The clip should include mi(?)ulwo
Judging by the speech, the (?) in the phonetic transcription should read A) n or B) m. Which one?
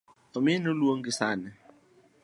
A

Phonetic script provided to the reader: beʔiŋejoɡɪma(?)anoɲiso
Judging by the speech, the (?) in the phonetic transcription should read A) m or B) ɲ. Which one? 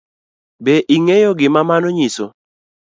A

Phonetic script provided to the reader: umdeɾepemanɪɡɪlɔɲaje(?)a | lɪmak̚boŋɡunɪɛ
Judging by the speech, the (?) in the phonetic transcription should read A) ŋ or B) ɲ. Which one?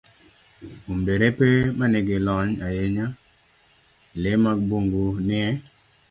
B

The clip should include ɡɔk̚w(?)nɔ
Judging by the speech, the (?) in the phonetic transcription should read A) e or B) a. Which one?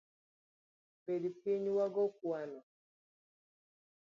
B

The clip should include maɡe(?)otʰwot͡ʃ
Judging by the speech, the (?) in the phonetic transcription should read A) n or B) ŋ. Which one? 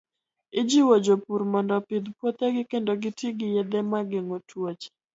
B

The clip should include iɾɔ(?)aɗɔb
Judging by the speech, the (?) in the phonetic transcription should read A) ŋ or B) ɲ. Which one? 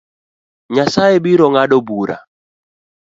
A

